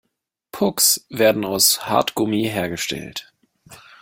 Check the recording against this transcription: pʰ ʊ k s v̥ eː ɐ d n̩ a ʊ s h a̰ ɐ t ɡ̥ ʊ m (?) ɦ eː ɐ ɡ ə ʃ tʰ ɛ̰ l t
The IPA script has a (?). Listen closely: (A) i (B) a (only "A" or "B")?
A